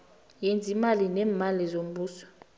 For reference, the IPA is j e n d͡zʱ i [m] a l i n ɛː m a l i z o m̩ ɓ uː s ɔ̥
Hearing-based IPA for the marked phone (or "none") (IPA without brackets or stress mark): m